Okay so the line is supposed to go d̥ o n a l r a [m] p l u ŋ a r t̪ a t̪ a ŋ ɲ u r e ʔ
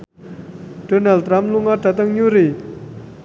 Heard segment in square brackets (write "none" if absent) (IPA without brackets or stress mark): m